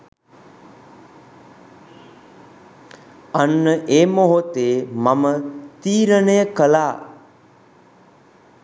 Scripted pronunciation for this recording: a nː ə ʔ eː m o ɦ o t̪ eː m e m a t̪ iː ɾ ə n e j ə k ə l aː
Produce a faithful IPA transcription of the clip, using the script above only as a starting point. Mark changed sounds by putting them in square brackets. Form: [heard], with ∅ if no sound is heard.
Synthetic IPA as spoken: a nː ə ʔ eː m o ɦ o t̪ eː m [a] m [ə] t̪ iː ɾ ə n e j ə k ə l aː